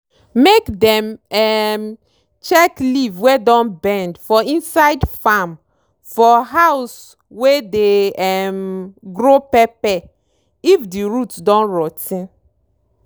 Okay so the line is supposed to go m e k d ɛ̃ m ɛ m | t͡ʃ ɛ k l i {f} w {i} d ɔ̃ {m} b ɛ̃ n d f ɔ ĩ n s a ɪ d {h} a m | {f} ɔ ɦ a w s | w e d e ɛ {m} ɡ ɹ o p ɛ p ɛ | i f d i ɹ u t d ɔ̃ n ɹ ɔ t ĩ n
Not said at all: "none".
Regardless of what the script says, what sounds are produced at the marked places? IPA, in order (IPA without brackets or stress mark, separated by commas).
v, e, n, f, f, m